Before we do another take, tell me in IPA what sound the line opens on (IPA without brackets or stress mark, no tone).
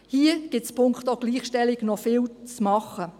h